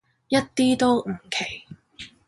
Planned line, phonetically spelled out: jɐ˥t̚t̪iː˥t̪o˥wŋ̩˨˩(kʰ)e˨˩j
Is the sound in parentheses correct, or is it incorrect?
correct